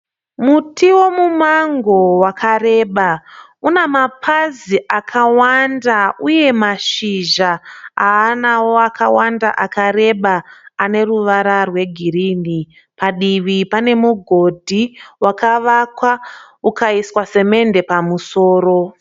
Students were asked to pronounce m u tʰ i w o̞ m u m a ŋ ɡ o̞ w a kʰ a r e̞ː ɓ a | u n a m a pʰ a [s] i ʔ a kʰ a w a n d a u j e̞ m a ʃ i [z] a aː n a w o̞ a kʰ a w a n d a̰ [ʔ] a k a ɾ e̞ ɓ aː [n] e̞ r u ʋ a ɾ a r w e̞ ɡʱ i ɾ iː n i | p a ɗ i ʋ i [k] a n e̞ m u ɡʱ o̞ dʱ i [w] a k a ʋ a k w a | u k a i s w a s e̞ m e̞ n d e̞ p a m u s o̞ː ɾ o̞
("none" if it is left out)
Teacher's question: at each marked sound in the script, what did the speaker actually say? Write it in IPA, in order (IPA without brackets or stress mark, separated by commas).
z, ʒ, ʔ, n, p, w